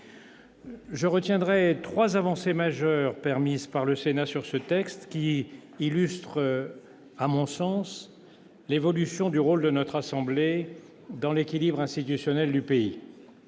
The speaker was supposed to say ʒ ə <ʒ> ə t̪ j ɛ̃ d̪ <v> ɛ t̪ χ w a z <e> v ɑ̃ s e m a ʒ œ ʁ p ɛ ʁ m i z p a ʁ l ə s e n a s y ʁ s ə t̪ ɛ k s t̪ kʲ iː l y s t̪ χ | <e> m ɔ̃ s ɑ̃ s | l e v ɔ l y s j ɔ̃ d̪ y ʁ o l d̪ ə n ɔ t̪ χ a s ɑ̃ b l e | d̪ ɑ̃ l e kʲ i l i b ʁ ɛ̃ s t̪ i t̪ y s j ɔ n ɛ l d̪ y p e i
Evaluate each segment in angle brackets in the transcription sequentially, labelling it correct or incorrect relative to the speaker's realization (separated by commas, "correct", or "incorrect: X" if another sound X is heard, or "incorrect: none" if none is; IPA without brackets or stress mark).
incorrect: ʁ, incorrect: ʁ, incorrect: a, incorrect: a